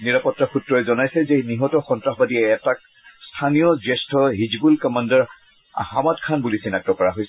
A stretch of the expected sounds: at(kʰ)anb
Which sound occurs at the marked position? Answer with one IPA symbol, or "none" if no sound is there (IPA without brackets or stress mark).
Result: kʰ